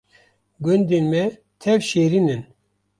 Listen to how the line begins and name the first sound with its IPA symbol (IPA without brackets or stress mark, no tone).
ɡ